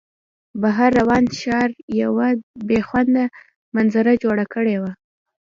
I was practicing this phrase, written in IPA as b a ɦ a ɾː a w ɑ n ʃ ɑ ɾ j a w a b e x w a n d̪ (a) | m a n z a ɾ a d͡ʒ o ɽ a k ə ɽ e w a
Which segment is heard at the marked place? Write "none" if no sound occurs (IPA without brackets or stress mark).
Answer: a